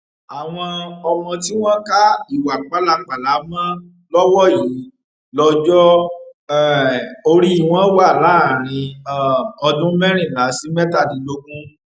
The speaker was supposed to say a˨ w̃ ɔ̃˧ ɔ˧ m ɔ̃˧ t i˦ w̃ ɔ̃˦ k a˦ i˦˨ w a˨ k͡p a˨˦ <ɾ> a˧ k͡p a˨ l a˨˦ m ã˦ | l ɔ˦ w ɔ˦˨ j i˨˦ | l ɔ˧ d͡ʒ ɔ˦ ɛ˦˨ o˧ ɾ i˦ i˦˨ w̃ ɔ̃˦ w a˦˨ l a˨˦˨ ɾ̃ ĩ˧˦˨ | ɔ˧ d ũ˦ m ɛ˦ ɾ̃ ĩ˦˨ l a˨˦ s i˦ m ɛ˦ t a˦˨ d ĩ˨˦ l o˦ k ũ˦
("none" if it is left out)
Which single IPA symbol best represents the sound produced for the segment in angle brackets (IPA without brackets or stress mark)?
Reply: l